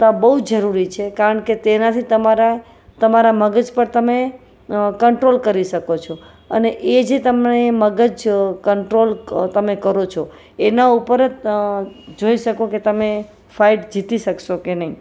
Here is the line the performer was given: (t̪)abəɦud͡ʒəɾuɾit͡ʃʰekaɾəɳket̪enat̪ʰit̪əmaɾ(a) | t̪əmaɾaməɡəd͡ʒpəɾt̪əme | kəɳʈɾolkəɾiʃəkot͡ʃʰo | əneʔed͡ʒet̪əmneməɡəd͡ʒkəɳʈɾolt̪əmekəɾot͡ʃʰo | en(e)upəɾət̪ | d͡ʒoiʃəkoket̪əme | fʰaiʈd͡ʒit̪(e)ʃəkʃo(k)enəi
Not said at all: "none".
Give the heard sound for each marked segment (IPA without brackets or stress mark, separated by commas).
t̪, a, a, i, k